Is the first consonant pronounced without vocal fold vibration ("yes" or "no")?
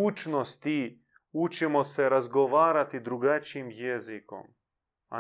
yes